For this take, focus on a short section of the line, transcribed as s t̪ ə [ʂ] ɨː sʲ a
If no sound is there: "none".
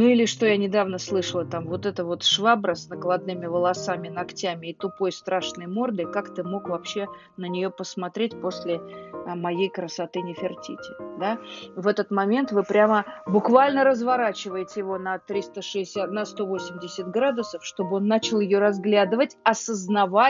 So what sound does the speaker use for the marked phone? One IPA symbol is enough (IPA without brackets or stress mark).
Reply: ʂ